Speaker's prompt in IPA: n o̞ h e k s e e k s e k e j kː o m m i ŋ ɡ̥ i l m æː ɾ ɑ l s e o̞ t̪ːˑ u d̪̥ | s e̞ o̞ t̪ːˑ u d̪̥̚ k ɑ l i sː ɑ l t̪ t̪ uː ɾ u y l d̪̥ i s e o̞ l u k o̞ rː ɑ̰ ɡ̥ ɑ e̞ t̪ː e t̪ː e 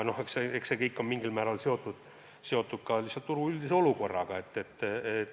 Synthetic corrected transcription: n o̞ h e k s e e k s e k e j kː o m m i ŋ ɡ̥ i l m æː ɾ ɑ l s e o̞ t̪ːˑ u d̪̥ | s e̞ o̞ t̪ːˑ u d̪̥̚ k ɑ l i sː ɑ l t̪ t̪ u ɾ u y l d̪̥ i s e o̞ l u k o̞ rː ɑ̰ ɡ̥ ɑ e̞ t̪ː e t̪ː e

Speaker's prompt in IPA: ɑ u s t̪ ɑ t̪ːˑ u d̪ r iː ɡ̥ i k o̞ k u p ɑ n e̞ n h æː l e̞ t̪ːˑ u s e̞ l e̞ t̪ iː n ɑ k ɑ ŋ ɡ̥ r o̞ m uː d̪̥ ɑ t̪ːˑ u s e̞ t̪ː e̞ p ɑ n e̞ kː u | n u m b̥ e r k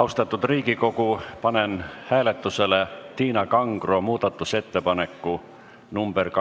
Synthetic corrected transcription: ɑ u s t̪ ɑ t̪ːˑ u d̪ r iː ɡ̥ i k o̞ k u p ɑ n e̞ n h æː l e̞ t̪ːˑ u s e̞ l e̞ t̪ iː n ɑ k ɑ ŋ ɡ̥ r o̞ m uː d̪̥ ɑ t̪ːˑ u s e̞ t̪ː e̞ p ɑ n e̞ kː u | n u m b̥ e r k

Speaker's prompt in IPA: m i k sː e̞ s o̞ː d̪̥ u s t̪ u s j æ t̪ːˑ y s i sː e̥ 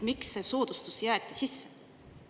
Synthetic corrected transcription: m i k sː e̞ s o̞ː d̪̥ u s t̪ u s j æː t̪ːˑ i s i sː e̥

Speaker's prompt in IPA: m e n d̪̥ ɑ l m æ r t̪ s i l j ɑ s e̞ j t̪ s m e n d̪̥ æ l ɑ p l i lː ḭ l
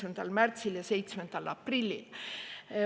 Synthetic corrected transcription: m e n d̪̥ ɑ l m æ r t̪ s i l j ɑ s e̞ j t̪ s m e n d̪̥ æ l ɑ p r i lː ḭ l

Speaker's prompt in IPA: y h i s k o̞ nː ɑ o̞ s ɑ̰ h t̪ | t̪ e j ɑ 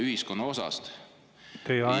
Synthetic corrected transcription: y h i s k o̞ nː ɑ o̞ s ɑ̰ s t̪ | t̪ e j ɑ

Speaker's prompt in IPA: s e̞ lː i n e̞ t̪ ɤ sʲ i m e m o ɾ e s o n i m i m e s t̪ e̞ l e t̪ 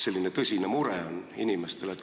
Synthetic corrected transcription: s e̞ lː i n e̞ t̪ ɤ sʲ i n e m u ɾ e o n i n i m e s t̪ e̞ l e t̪

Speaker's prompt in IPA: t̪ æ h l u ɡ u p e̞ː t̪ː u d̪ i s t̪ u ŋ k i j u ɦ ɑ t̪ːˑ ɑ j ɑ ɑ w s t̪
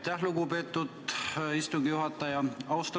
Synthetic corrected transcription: t̪ æ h l u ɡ u p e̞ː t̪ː u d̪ i s t̪ u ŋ ɡ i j u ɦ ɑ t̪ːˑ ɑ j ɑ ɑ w s t̪

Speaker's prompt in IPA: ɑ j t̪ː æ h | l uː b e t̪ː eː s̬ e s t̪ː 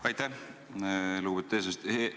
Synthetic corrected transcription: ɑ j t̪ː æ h | l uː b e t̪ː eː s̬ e s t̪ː

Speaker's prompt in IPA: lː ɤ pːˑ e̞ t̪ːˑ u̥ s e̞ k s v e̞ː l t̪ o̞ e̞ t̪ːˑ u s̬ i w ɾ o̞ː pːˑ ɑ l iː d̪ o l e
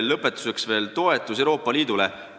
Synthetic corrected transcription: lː ɤ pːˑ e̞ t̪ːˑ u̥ s e̞ k s v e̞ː l t̪ o̞ e̞ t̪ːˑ u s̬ e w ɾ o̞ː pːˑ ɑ l iː d̪ u l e

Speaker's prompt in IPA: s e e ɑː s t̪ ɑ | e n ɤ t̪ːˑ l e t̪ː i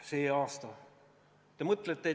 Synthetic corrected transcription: s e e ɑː s t̪ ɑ | e m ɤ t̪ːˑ l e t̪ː e

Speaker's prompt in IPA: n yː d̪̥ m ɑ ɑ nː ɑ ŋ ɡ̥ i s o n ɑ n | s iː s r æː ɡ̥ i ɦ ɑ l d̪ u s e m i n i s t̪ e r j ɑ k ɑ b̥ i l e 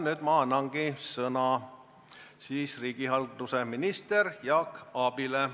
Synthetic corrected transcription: n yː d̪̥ m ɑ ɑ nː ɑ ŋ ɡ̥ i s ɤ n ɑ | s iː s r iː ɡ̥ i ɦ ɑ l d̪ u s e m i n i s t̪ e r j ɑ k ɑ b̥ i l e

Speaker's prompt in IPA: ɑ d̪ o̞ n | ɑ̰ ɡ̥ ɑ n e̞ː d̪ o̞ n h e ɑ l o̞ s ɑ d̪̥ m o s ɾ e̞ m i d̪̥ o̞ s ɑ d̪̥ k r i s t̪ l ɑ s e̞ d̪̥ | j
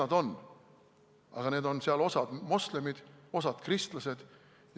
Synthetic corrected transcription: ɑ d̪ o̞ n | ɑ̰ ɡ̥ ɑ n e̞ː d̪ o̞ n s e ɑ l o̞ s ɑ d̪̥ m o s l e̞ m i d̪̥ o̞ s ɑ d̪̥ k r i s t̪ l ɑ s e̞ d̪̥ | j

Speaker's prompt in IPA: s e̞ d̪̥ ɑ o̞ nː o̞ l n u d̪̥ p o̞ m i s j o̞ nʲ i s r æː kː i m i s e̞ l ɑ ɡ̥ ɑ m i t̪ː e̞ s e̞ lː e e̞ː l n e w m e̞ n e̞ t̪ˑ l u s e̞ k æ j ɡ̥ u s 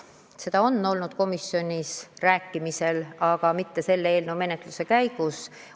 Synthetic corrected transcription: s e̞ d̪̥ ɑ o̞ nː o̞ l n u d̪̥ k o̞ m i s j o̞ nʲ i s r æː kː i m i s e̞ l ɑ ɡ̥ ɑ m i t̪ː e̞ s e̞ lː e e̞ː l n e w m e̞ n e̞ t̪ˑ l u s e̞ k æ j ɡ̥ u s

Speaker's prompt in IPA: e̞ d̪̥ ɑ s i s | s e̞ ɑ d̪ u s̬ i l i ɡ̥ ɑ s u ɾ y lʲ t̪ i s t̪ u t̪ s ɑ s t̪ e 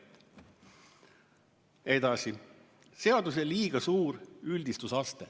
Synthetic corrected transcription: e̞ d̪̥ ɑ s i | s e̞ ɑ d̪ u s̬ e l iː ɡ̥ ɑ s uː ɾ y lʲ d̪ i s t̪ u s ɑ s t̪ e

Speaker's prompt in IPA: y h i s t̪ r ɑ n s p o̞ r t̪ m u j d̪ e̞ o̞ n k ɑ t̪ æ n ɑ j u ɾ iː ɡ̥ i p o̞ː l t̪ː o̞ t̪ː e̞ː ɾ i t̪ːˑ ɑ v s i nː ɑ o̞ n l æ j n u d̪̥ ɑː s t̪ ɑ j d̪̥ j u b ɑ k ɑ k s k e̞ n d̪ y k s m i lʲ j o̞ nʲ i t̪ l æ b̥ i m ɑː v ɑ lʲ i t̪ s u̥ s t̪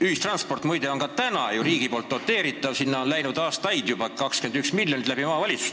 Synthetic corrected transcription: y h i s t̪ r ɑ n s p o̞ r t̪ m u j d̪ e̞ o̞ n k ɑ t̪ æ n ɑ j u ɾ iː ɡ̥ i p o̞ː l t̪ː o̞ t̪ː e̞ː ɾ i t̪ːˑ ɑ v s i nː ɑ o̞ n l æ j n u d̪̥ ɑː s t̪ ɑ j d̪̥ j u b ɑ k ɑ k s k e̞ n d̪ y k s m i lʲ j o̞ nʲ i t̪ l æ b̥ i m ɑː v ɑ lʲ i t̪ s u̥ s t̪

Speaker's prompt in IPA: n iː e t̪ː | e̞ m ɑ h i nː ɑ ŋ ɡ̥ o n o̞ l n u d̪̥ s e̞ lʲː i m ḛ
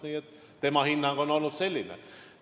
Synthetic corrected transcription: n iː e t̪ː | e̞ m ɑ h i nː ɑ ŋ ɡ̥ o n o̞ l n u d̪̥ s e̞ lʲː i n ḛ

